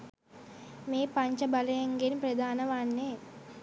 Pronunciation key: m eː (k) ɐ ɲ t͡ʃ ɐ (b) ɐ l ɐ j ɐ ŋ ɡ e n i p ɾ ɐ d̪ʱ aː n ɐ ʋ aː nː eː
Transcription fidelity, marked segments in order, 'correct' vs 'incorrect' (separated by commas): incorrect, correct